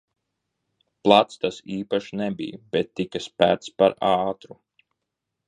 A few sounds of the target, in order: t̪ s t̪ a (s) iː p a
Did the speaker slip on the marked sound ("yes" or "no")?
no